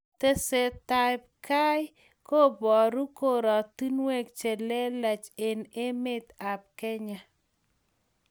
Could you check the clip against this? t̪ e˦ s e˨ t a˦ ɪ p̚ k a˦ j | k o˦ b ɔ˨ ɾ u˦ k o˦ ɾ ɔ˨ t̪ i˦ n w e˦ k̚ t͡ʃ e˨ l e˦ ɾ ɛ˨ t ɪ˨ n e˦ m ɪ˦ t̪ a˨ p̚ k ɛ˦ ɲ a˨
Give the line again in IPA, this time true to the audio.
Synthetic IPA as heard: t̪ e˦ s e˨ t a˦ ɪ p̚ k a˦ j | k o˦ b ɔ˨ ɾ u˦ k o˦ ɾ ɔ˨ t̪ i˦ n w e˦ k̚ t͡ʃ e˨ l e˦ l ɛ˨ t͡ʃ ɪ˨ n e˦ m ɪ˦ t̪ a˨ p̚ k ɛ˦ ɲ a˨